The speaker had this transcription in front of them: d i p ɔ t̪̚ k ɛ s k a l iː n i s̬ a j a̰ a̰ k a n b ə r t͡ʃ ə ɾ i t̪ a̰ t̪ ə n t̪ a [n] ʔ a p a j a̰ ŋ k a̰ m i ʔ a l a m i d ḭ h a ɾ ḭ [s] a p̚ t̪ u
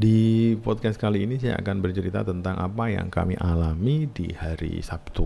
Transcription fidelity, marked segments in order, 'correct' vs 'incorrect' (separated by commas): incorrect, correct